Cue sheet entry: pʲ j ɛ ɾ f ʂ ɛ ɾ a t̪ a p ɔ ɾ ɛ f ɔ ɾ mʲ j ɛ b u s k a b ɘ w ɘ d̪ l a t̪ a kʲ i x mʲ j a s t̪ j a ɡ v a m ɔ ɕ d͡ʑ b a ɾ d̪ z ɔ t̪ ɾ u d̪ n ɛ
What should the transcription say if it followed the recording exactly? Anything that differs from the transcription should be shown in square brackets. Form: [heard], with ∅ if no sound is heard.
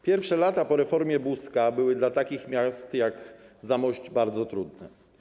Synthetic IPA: pʲ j ɛ ɾ f ʂ ɛ [l] a t̪ a p ɔ ɾ ɛ f ɔ ɾ mʲ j ɛ b u s k a b ɘ w ɘ d̪ l a t̪ a kʲ i x mʲ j a s t̪ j a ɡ [z] a m ɔ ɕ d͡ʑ b a ɾ d̪ z ɔ t̪ ɾ u d̪ n ɛ